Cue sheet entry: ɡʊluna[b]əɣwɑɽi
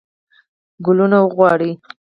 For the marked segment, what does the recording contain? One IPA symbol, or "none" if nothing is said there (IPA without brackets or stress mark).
w